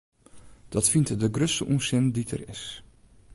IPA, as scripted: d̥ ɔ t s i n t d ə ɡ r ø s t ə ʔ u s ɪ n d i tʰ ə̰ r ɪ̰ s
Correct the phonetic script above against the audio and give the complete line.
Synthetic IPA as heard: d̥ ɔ t f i n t d ə ɡ r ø s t ə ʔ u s ɪ n d i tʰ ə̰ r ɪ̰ s